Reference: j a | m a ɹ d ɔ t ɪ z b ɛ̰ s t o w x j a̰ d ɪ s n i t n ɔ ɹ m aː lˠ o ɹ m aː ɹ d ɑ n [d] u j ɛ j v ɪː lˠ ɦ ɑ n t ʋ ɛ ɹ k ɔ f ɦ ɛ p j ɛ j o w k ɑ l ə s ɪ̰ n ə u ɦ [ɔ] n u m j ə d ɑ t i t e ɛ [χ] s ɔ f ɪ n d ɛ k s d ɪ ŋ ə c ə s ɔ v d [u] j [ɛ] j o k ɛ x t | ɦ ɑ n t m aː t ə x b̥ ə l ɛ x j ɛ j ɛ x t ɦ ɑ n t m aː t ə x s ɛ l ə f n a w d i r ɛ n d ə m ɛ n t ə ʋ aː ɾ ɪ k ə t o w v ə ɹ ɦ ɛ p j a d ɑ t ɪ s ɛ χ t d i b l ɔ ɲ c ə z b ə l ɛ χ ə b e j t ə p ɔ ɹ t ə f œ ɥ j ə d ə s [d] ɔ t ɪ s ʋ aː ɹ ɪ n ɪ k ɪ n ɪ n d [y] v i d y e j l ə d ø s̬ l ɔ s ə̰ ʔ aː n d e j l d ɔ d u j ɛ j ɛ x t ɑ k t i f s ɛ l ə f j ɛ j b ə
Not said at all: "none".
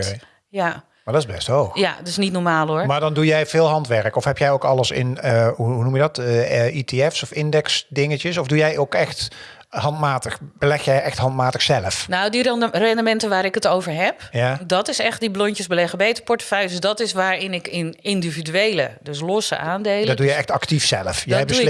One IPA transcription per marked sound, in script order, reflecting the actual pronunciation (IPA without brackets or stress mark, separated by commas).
d, u, f, u, ɛ, d, i